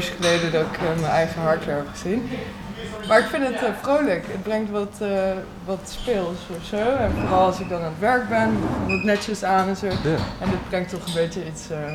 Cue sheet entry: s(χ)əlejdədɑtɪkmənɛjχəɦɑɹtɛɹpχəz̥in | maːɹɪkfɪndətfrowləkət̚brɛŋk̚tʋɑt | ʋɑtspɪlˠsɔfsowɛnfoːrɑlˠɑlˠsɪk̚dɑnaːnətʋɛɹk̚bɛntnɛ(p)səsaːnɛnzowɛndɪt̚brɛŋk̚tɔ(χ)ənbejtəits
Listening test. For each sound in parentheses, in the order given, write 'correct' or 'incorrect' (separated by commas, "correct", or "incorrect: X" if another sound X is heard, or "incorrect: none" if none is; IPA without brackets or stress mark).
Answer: correct, incorrect: t, correct